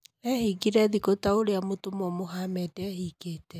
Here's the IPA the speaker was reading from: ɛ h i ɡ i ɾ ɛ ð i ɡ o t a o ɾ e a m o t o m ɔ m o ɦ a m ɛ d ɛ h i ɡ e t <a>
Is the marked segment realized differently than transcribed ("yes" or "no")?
yes